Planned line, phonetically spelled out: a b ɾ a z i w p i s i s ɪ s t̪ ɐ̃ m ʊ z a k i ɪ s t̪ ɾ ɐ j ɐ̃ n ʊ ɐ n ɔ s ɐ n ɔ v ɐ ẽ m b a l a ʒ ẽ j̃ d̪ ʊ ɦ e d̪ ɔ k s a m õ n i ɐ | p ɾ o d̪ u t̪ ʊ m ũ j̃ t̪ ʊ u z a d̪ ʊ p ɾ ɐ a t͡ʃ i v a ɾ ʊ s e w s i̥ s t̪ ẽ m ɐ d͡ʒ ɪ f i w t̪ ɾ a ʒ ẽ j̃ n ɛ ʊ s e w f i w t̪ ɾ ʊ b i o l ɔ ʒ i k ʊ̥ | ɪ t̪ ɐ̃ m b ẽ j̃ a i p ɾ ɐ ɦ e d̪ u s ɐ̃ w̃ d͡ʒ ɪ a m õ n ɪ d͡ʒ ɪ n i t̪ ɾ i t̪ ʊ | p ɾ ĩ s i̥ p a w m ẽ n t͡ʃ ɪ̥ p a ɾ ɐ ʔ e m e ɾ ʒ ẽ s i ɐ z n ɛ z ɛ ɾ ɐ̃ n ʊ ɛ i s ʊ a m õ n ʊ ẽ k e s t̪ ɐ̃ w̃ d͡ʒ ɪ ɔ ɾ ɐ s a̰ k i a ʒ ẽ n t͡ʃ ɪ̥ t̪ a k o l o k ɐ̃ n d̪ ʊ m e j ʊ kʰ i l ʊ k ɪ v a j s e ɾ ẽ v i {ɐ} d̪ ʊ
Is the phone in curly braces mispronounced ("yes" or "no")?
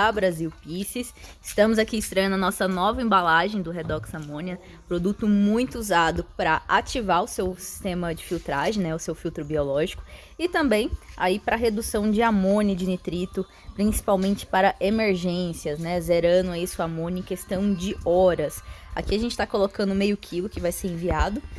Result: yes